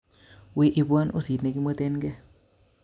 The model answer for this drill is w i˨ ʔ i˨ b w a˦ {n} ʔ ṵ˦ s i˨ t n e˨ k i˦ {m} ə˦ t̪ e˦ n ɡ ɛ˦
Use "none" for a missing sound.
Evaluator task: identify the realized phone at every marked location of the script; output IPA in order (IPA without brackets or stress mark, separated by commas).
n, m